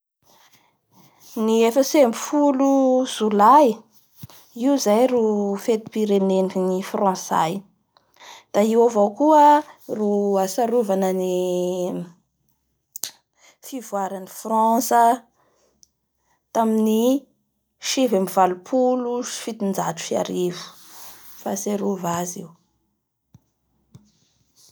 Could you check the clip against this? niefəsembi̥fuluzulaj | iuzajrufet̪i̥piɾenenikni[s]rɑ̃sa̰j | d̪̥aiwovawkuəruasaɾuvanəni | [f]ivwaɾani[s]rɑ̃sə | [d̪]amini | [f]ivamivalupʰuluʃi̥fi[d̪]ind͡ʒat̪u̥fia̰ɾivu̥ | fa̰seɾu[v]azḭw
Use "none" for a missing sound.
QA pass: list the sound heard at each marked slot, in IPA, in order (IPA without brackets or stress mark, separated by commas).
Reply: f, f, f, t̪, ʃ, t̪, v